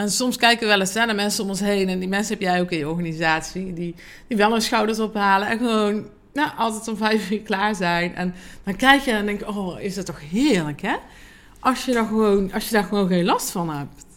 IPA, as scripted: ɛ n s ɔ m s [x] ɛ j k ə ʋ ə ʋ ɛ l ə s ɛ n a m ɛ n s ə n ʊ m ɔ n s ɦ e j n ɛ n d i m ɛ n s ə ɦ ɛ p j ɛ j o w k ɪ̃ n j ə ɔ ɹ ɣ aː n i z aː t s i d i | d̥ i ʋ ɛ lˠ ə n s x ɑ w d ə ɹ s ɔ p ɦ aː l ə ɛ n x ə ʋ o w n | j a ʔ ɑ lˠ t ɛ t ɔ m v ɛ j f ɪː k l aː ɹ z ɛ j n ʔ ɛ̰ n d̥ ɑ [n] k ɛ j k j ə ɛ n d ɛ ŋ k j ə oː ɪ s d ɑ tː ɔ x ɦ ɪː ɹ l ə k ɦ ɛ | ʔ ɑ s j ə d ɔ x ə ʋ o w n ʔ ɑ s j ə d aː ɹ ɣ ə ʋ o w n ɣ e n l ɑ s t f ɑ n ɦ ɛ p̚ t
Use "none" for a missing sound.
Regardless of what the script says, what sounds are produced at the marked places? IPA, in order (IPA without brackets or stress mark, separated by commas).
k, n